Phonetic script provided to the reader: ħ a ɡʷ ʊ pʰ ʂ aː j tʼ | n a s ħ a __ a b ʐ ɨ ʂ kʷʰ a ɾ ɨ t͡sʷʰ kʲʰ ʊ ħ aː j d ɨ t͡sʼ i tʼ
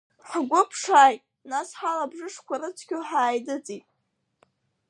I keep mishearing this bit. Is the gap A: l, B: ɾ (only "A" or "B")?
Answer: A